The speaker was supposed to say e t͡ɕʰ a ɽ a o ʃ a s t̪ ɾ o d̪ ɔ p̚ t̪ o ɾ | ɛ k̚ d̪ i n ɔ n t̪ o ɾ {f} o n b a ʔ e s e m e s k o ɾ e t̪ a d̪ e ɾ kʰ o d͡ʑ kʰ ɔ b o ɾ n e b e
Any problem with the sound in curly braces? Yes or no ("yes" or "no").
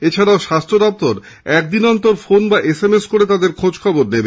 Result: no